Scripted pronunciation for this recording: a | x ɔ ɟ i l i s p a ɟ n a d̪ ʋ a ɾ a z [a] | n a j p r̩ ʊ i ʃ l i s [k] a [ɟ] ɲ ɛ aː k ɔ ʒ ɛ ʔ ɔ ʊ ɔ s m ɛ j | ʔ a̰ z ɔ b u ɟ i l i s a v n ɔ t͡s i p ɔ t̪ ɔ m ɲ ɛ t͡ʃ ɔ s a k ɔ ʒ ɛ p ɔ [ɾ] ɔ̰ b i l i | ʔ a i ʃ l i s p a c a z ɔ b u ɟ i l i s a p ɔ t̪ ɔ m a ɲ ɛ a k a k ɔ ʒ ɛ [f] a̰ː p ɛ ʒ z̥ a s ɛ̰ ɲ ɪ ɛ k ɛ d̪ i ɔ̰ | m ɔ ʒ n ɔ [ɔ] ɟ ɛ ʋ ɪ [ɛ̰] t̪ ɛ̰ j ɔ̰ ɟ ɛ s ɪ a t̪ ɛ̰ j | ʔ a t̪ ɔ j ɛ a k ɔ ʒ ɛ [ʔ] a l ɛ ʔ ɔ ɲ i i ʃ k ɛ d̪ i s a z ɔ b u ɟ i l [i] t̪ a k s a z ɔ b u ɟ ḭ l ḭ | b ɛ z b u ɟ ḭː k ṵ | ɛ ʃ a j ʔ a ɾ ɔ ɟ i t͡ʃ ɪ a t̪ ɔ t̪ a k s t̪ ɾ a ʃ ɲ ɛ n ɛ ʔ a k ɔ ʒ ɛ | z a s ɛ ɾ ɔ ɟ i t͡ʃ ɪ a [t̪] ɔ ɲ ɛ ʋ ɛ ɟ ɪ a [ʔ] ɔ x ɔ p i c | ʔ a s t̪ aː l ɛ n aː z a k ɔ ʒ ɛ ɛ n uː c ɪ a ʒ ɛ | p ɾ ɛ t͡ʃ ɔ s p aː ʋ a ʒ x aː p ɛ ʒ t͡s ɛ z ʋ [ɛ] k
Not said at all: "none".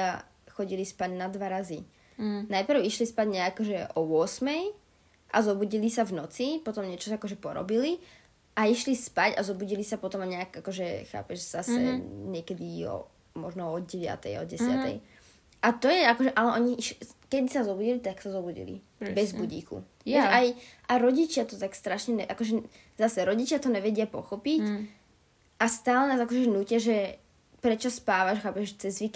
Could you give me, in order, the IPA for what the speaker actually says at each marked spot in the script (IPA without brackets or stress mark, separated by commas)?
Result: i, p, ɟ, ɾ, x, ɔ, a̰, ʔ, i, t̪, p, i